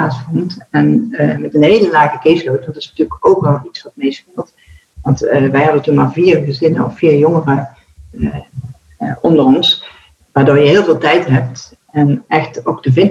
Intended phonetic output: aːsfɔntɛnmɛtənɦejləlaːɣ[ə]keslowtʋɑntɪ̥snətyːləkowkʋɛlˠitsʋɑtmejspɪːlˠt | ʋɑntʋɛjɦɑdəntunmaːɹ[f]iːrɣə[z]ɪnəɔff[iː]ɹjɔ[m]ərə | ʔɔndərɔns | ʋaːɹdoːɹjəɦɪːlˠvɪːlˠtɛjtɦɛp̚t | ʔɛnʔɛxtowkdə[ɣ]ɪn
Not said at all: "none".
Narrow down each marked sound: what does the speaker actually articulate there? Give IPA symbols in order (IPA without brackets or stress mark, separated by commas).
ə, v, z, iː, ŋ, v